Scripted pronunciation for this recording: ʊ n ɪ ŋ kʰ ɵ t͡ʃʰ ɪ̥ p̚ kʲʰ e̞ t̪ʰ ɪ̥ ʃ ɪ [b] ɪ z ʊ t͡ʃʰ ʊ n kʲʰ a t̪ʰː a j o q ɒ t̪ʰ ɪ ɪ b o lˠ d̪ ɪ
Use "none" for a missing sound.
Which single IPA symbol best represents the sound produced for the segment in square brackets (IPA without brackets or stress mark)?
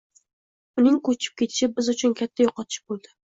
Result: b